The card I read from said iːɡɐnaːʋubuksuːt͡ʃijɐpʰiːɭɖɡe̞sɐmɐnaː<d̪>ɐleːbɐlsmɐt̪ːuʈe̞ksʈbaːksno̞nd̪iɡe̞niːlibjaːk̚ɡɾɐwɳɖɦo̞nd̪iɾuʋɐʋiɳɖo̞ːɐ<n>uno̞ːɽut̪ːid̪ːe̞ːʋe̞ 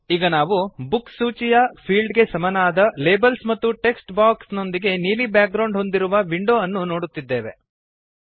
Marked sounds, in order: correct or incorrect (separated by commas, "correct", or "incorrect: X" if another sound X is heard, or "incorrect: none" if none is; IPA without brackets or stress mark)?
correct, incorrect: nː